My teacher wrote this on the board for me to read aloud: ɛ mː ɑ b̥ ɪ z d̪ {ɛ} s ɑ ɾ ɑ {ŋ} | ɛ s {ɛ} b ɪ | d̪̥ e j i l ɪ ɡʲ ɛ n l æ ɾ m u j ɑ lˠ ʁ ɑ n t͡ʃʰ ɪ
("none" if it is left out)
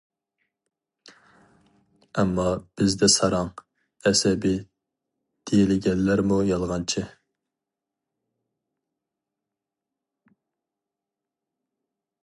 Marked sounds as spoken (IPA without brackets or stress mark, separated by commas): ɛ, ŋ, ɛ